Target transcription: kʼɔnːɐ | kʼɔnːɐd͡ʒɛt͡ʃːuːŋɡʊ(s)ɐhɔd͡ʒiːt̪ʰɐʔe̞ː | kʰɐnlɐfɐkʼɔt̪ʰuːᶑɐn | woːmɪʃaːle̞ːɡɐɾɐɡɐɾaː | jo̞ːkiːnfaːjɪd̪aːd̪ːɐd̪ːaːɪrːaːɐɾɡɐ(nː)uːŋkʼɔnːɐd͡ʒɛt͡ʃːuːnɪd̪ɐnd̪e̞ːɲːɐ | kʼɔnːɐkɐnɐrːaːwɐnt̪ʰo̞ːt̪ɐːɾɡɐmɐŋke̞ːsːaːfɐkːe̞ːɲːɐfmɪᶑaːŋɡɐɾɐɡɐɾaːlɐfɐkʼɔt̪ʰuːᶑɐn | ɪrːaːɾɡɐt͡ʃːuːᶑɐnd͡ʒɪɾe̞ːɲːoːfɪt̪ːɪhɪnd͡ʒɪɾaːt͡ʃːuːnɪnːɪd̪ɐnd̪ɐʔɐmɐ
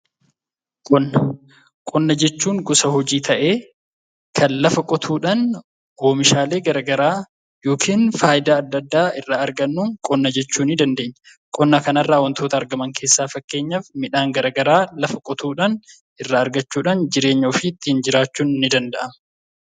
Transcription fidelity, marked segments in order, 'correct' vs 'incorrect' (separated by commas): correct, correct